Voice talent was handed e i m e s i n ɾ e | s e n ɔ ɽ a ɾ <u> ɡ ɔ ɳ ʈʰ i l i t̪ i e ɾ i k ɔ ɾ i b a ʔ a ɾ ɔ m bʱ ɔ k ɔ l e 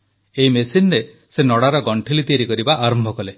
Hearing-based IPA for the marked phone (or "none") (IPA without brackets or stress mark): ɔ